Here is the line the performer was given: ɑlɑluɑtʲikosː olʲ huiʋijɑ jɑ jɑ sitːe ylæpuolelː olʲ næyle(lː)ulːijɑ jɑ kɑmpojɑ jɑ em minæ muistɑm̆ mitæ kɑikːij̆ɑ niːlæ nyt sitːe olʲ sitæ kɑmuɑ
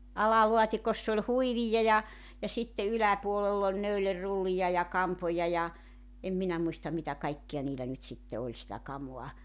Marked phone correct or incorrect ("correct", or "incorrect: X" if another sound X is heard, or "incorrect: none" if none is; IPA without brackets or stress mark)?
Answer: incorrect: rː